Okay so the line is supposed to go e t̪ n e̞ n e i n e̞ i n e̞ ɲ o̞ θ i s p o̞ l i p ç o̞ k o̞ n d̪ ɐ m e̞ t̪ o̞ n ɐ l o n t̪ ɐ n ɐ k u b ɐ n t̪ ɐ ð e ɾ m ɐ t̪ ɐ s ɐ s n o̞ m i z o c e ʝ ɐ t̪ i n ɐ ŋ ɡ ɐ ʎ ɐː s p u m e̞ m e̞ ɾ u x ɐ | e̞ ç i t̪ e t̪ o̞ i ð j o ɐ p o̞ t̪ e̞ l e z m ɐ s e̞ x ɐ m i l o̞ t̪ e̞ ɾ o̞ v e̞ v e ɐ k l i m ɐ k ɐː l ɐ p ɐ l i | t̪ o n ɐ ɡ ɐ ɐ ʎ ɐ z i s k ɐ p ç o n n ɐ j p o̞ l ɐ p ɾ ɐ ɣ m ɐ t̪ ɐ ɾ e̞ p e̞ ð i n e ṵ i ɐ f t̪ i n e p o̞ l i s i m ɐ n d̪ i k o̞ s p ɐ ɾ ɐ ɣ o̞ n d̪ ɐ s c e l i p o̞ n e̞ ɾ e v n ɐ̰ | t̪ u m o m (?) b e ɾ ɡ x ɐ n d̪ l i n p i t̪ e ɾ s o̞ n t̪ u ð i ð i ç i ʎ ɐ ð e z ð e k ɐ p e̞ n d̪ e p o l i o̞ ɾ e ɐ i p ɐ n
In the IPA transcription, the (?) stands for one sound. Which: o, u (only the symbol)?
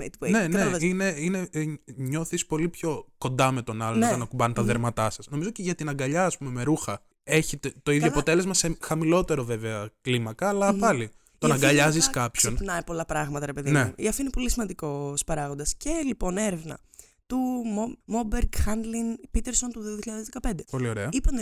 o